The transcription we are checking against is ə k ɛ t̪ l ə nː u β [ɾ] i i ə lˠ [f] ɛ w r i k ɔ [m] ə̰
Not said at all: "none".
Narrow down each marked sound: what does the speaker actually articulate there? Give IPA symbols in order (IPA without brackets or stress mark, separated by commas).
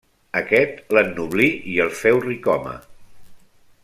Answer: l, f, m